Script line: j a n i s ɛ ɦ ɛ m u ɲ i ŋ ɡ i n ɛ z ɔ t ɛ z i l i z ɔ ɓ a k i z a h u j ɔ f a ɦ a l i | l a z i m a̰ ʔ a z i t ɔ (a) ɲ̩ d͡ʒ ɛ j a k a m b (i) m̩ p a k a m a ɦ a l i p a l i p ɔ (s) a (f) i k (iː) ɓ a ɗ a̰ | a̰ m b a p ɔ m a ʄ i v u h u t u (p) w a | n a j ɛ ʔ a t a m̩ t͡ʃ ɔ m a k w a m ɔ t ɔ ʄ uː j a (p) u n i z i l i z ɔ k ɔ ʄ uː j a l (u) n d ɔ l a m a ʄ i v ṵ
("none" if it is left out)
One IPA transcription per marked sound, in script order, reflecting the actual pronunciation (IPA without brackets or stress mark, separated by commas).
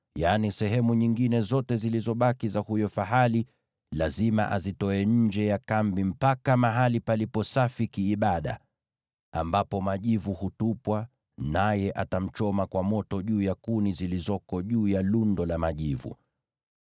ɛ, i, s, f, iː, p, k, u